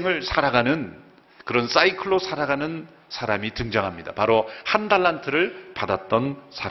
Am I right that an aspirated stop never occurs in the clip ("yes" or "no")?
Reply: no